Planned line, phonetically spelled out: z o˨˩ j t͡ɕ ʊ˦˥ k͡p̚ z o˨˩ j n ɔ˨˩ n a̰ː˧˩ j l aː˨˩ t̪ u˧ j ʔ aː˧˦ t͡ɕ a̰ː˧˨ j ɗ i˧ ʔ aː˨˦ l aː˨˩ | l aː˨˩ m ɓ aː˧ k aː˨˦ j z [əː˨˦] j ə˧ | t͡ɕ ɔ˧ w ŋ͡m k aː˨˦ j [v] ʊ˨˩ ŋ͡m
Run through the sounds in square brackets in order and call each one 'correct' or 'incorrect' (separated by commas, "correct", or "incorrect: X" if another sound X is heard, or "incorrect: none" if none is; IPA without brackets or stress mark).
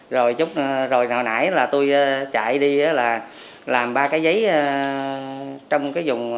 incorrect: ə˨˦, incorrect: z